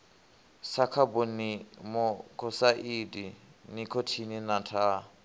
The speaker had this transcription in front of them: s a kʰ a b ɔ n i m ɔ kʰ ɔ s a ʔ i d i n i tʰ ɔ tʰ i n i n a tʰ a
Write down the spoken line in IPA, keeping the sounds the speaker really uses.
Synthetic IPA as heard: s a kʰ a b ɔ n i m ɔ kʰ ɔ s a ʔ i d i n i kʰ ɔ tʰ i n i n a tʰ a